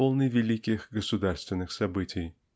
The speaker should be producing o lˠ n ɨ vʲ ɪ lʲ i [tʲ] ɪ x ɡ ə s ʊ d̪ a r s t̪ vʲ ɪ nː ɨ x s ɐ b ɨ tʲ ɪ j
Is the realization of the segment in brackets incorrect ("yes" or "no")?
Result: yes